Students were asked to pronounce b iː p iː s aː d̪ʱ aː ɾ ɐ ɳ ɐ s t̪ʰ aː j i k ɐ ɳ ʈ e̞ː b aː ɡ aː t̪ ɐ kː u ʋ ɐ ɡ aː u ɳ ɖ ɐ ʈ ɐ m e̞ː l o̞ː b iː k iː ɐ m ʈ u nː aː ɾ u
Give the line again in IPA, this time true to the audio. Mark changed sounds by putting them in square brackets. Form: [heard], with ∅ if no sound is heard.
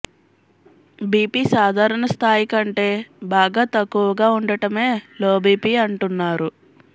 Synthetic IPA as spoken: b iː p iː s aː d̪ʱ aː ɾ ɐ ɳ ɐ s t̪ʰ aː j i k ɐ ɳ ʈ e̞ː b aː ɡ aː t̪ ɐ kː u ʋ ɐ ɡ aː u ɳ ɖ ɐ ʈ ɐ m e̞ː l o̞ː b iː [p] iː ɐ [ɳ] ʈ u nː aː ɾ u

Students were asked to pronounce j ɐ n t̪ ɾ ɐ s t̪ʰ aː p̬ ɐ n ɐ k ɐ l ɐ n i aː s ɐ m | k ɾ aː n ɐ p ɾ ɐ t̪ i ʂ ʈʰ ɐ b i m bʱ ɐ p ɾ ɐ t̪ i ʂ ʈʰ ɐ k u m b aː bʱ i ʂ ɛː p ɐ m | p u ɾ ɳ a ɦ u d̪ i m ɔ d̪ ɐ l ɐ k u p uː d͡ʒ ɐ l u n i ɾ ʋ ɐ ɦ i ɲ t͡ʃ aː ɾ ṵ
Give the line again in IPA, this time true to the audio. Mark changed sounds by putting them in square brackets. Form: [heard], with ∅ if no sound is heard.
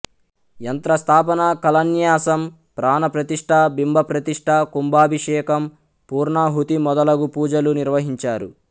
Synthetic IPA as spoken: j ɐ n t̪ ɾ ɐ s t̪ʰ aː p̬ ɐ n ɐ k ɐ l ɐ n [j] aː s ɐ m | [p] ɾ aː n ɐ p ɾ ɐ t̪ i ʂ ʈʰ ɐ b i m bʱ ɐ p ɾ ɐ t̪ i ʂ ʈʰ ɐ k u m b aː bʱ i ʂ ɛː [k] ɐ m | p [uː] ɾ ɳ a ɦ u [t̪] i m ɔ d̪ ɐ l ɐ [ɡ] u p uː d͡ʒ ɐ l u n i ɾ ʋ ɐ ɦ i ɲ t͡ʃ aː ɾ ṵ

